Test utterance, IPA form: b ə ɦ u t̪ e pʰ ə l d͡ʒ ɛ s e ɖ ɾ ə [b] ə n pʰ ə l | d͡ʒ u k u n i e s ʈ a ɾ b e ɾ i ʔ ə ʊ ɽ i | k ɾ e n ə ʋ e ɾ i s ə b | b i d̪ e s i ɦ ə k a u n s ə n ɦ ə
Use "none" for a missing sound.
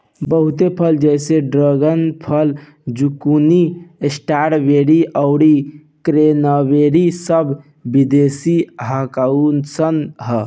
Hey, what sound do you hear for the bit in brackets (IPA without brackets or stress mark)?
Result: ɡ